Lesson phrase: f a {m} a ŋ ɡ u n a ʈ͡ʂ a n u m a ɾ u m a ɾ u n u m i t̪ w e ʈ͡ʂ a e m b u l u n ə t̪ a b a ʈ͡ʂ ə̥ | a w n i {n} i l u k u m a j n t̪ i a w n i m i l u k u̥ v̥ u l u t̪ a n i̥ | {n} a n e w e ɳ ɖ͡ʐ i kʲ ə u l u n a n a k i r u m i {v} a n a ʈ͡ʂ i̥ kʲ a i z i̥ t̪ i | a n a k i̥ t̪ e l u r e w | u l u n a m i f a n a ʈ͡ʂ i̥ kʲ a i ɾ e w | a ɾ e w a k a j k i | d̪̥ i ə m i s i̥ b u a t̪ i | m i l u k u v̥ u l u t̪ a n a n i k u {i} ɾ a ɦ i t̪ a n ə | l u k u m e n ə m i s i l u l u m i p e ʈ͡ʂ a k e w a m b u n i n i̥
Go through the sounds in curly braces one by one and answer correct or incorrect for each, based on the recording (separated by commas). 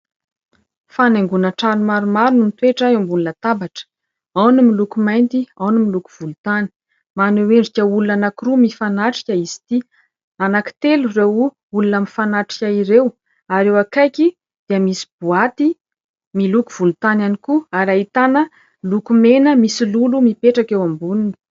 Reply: incorrect, incorrect, incorrect, incorrect, incorrect